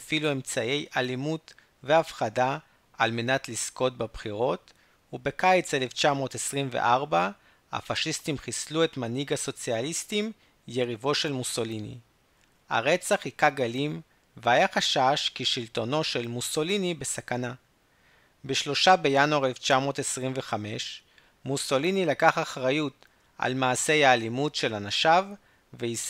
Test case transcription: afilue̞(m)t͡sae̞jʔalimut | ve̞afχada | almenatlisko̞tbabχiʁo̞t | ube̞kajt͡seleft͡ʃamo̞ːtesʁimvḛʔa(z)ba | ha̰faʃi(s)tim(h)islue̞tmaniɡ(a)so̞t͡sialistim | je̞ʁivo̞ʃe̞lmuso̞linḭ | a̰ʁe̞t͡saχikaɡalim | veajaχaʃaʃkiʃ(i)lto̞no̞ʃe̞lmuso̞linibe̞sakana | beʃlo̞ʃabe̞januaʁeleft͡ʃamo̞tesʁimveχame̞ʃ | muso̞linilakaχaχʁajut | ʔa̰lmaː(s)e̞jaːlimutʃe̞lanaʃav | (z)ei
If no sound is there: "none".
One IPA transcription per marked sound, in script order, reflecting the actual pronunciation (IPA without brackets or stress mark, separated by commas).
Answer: m, ʁ, s, χ, a, i, s, v